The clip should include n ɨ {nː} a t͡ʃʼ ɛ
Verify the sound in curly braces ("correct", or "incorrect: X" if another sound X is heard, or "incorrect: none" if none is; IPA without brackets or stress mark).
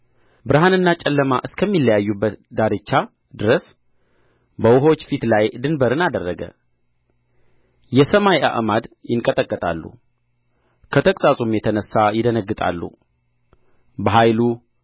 correct